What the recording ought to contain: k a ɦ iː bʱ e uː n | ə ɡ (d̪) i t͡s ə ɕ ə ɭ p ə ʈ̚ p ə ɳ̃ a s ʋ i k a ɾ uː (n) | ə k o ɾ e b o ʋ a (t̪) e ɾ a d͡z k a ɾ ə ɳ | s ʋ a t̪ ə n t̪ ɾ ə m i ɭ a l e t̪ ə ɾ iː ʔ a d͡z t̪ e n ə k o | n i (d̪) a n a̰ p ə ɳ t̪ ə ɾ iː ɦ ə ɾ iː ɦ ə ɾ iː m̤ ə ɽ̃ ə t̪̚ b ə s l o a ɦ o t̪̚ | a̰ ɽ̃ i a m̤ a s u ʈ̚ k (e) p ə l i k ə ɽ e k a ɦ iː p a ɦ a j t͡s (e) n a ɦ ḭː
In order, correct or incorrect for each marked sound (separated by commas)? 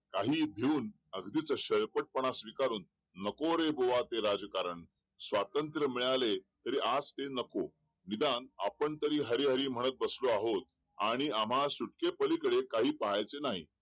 correct, incorrect, correct, correct, correct, correct